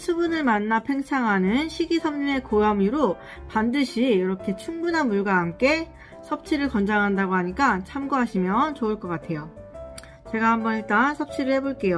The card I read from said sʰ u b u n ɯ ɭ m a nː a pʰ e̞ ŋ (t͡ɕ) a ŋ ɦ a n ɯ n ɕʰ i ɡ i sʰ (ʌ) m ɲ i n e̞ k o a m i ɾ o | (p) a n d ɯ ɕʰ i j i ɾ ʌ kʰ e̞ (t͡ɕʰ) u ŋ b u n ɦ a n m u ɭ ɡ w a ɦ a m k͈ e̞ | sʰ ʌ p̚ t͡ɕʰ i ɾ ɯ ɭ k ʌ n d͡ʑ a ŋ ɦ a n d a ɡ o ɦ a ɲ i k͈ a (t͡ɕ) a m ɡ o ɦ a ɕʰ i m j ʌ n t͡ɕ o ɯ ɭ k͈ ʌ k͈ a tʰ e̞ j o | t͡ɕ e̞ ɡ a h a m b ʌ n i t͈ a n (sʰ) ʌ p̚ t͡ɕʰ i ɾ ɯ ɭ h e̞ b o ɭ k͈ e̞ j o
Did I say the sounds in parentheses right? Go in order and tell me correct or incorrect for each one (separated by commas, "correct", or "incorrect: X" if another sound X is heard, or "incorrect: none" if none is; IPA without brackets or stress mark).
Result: incorrect: t͡ɕʰ, correct, correct, correct, incorrect: t͡ɕʰ, correct